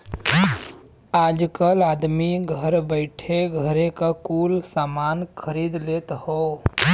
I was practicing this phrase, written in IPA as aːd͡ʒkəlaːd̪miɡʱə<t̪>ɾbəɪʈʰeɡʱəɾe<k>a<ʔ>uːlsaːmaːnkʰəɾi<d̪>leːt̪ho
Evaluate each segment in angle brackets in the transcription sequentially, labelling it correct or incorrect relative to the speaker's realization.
incorrect, correct, incorrect, correct

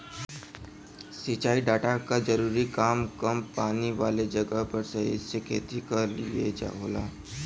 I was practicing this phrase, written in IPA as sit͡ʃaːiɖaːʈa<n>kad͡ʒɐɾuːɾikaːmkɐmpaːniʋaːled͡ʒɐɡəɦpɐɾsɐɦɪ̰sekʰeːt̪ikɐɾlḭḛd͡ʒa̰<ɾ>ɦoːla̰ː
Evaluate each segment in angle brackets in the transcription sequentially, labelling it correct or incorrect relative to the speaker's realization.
incorrect, incorrect

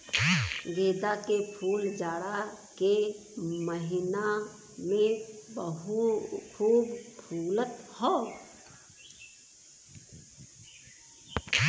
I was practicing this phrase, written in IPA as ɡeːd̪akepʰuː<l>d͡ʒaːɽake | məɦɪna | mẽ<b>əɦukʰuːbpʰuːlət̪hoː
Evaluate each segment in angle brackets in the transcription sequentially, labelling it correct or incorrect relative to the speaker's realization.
correct, correct

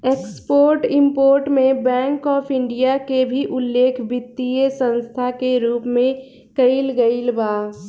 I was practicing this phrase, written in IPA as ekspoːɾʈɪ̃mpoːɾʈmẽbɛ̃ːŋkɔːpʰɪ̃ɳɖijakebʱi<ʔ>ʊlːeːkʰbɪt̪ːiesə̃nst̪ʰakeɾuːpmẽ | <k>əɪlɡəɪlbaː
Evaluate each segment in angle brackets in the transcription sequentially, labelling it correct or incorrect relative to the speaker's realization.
correct, correct

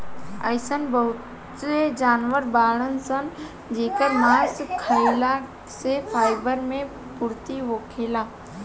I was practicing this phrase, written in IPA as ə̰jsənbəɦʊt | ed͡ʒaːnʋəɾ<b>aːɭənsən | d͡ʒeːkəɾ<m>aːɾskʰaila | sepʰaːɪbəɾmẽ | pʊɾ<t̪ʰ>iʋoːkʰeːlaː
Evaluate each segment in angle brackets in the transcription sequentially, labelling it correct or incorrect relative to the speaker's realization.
correct, correct, incorrect

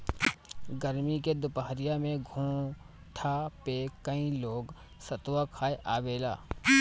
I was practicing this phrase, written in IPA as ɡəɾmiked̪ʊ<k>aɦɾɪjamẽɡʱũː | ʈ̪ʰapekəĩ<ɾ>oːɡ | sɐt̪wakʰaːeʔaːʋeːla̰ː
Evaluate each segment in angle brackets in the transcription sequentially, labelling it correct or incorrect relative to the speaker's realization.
incorrect, incorrect

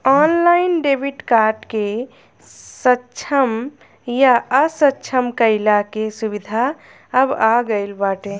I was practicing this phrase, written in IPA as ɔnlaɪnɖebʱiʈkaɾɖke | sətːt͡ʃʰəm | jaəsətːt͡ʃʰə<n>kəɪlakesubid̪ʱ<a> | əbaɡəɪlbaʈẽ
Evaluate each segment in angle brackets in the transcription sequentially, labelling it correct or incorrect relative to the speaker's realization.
incorrect, correct

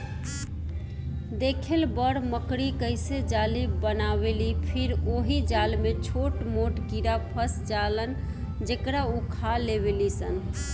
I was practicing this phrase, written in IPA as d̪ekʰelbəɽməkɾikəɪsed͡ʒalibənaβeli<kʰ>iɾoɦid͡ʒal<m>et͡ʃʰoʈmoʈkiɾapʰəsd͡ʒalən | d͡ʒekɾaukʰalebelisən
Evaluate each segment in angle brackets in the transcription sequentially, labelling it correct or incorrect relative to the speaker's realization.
incorrect, correct

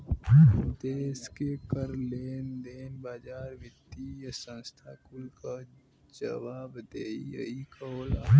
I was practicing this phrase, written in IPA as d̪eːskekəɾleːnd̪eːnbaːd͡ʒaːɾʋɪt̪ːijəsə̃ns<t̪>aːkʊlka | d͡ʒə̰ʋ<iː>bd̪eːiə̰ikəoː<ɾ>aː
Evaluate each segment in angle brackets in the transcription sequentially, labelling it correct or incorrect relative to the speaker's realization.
incorrect, incorrect, incorrect

